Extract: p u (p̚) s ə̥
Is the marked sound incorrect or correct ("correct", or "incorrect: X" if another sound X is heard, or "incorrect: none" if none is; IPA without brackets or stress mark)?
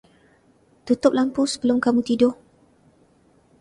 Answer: incorrect: none